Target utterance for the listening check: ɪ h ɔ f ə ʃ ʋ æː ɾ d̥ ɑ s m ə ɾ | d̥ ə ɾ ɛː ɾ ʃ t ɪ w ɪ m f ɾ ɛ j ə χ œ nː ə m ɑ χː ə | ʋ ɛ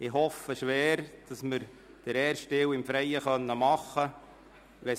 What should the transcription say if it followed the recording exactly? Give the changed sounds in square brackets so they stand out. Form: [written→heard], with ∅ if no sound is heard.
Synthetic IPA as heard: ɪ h ɔ f ə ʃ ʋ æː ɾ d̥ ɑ s m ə ɾ | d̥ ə ɾ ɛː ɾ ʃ t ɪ w ɪ m f ɾ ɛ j ə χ œ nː ə m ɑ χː ə | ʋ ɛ